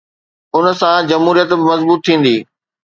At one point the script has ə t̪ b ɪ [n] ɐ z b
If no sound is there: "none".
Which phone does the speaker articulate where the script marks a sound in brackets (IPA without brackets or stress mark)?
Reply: m